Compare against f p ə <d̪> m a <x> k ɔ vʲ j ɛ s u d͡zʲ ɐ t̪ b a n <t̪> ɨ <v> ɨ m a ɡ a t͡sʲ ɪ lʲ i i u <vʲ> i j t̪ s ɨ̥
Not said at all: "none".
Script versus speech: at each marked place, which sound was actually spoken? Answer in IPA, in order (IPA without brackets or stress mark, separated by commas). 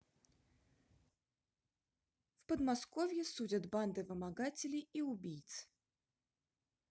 d̪, s, d̪, v, bʲ